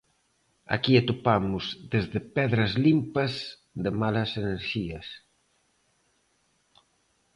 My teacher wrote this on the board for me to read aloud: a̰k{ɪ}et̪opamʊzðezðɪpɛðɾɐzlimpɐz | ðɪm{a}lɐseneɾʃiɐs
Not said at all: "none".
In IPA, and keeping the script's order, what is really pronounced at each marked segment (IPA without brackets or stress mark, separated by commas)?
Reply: i, a